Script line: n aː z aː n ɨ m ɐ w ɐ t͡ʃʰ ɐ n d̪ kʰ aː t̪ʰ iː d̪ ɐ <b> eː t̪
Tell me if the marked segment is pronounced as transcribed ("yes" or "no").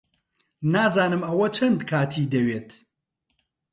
no